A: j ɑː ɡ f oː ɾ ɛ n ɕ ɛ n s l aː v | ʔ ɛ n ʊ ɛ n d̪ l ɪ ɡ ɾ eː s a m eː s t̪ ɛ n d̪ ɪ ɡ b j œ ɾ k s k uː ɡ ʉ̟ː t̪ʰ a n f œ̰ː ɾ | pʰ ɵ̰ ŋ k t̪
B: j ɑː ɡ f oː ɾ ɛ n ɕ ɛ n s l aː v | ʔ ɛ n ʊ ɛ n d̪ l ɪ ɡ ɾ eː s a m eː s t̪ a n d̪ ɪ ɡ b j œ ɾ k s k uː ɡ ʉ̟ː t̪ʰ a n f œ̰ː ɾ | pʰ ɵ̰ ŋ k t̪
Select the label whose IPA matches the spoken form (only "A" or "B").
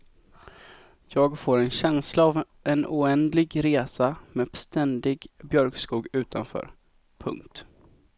A